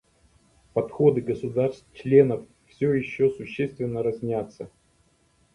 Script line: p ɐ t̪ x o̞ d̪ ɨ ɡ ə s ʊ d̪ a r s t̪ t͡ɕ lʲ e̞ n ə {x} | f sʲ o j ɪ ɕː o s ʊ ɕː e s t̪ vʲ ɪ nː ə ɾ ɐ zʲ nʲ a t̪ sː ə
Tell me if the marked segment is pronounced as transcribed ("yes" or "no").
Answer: no